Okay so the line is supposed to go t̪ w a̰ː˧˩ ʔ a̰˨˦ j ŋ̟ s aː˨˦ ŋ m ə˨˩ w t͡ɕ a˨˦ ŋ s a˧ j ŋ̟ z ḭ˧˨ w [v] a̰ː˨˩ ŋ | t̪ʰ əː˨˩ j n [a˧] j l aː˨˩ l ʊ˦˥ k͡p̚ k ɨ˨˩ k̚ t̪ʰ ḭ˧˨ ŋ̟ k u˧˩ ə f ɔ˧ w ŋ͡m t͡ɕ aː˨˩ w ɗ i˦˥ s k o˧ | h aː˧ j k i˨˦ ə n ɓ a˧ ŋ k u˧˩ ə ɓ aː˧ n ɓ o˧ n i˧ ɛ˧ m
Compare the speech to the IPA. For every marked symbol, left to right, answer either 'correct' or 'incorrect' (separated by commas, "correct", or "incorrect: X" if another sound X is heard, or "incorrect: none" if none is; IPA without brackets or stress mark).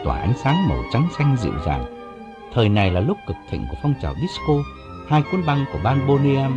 incorrect: z, incorrect: a˨˩